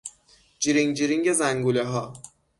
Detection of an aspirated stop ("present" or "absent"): absent